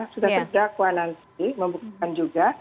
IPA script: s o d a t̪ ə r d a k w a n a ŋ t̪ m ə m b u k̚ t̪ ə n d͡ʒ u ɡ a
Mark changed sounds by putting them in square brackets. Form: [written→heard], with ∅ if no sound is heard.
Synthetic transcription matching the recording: s [o→u] d a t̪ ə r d a k w a n a [ŋ→n] t̪ m ə m b u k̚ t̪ [ə→a] n d͡ʒ u ɡ a

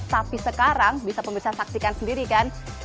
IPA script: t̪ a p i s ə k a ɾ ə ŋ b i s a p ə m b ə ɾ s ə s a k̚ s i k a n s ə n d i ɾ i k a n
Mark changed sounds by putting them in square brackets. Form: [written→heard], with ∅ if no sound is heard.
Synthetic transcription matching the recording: t̪ a p i s ə k a ɾ [ə→a] ŋ b i s a p ə m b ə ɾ s [ə→a] s a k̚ s i k a n s ə n d i ɾ i k a n

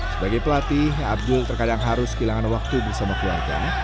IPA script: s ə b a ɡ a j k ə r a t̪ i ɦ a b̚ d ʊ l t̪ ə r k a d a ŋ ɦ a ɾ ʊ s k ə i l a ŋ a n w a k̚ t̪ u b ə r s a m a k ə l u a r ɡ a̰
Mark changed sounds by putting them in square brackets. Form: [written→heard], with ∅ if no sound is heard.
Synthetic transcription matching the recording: s ə b a ɡ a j [k→p] ə [r→l] a t̪ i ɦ a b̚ d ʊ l t̪ ə r k a d a ŋ ɦ a ɾ ʊ s k ə i l a ŋ a n w a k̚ t̪ u b ə r s a m a k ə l u a r ɡ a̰

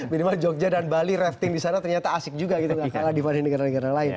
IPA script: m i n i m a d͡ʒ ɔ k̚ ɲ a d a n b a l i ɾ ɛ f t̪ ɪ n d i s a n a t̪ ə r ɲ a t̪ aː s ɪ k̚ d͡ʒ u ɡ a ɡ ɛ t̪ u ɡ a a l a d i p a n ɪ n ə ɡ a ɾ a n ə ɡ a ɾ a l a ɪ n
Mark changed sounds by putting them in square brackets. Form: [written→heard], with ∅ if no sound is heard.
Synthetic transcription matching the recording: m i n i m a d͡ʒ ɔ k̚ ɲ a d a n b a l i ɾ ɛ f t̪ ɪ [n→ŋ] d i s a n a t̪ ə r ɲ a t̪ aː s ɪ k̚ d͡ʒ u ɡ a ɡ [ɛ→i] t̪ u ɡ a a l a d i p a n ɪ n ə ɡ a ɾ a n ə ɡ a ɾ a l a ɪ n

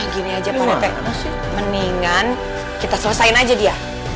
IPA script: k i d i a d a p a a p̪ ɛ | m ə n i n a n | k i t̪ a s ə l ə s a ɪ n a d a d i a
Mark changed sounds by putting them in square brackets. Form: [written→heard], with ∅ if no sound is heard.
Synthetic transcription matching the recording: [k→ɡ] i [d→n] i a [d→d͡ʒ] a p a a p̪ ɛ | m ə n i [n→ŋ] a n | k i t̪ a s ə l ə s a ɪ n a [d→d͡ʒ] a d i a

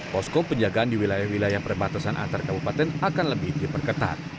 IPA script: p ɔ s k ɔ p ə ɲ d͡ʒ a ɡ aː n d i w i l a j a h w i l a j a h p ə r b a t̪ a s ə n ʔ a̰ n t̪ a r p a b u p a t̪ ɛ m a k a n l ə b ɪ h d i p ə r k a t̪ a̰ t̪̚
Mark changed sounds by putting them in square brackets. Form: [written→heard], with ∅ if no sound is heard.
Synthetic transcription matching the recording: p ɔ s k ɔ p ə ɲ d͡ʒ a ɡ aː n d i w i l a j a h w i l a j a h p ə r b a t̪ a s [ə→a] n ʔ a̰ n t̪ a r [p→k] a b u p a t̪ ɛ [m→n] a k a n l ə b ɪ h d i p ə r k [a→ə] t̪ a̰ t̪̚

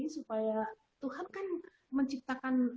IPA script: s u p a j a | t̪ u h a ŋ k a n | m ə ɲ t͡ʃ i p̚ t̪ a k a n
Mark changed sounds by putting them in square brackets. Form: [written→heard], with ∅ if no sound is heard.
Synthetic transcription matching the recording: s u p a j a | t̪ u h a [ŋ→n] k a n | m ə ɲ t͡ʃ i p̚ t̪ a k a n

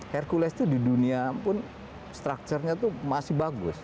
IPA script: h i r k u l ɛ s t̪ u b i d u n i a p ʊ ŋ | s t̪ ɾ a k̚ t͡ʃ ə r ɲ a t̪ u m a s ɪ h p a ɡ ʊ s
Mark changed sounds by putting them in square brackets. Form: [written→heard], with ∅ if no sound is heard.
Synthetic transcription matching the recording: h [i→ɛ] r k u l ɛ s t̪ u [b→d] i d u n i a p ʊ [ŋ→n] | s t̪ ɾ a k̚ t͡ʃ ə r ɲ a t̪ u m a s ɪ h [p→b] a ɡ ʊ s

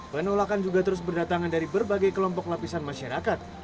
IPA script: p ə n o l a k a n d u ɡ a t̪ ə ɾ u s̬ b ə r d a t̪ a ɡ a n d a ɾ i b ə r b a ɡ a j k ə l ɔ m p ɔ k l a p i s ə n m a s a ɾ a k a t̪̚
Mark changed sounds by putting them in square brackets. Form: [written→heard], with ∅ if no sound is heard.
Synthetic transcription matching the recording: p ə n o l a k a n [d→d͡ʒ] u ɡ a t̪ ə ɾ [u→ʊ] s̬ b ə r d a t̪ a [ɡ→ŋ] a n d a ɾ i b ə r b a ɡ a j k ə l ɔ m p ɔ k l a p i s [ə→a] n m a [s→ʃ] a ɾ a k a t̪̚

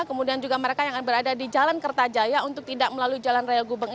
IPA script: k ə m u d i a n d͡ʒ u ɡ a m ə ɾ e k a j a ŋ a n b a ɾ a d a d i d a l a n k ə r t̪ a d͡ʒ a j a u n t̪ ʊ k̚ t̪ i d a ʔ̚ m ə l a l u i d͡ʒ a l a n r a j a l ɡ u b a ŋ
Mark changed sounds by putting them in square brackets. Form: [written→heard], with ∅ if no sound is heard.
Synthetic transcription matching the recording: k ə m u d i a n d͡ʒ u ɡ a m ə ɾ e k a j a ŋ a n b [a→ə] ɾ a d a d i [d→d͡ʒ] a l a n k ə r t̪ a d͡ʒ a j a u n t̪ ʊ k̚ t̪ i d a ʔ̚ m ə l a l u i d͡ʒ a l a n r a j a l ɡ u b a ŋ

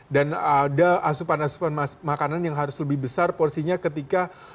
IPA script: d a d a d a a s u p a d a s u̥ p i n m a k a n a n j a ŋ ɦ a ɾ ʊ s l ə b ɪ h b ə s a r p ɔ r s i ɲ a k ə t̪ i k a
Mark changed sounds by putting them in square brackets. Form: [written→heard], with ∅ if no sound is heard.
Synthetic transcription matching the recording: d a [d→n] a d a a s u p a [d→n] a s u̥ p [i→a] n m a k a n a n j a ŋ ɦ a ɾ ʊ s l ə b ɪ h b ə s a r p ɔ r s i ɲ a k ə t̪ i k a

